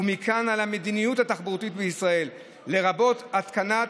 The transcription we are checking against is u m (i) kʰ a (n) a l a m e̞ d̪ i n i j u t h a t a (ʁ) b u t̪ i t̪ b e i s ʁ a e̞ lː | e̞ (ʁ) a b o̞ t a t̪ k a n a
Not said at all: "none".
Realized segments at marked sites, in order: i, n, χ, ʁ

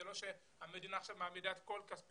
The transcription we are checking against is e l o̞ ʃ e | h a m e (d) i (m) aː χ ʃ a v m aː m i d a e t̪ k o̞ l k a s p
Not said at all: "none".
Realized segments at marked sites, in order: d, n

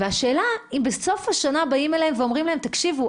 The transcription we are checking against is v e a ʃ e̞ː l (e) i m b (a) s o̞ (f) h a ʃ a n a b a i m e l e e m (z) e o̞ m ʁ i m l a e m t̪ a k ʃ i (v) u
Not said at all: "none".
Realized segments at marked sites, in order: a, e, f, v, v

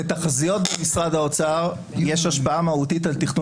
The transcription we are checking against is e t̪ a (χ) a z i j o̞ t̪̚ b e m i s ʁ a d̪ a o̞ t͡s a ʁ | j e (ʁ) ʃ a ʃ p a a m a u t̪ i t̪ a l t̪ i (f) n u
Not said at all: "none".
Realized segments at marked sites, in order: χ, none, χ

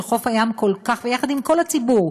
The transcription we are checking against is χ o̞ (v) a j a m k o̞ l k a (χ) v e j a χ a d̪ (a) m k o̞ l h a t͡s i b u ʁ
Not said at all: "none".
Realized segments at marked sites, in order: f, χ, i

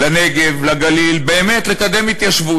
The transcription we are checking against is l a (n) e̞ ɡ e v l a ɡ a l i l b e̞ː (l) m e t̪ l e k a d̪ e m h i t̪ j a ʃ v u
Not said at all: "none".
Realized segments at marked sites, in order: n, none

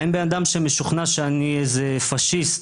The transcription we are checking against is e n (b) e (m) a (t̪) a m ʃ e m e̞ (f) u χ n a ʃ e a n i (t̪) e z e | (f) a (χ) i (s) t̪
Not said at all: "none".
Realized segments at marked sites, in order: b, n, d̪, ʃ, none, f, ʃ, s

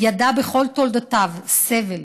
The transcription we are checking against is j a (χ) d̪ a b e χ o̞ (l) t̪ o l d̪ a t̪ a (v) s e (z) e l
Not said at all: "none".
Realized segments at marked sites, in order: none, l, v, v

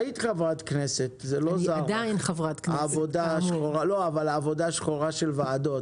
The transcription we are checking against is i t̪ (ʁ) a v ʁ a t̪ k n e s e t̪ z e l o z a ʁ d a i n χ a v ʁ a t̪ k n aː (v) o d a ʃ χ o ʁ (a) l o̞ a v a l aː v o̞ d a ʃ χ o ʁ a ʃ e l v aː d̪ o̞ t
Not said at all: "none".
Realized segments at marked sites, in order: χ, v, a

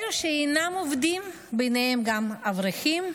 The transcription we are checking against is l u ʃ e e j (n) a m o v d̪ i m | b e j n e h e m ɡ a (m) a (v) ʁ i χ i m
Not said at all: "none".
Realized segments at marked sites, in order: n, m, v

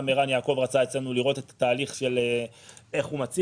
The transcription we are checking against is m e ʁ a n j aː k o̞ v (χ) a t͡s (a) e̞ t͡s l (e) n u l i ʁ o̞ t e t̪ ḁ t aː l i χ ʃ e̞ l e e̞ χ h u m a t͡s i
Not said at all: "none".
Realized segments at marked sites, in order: ʁ, a, e

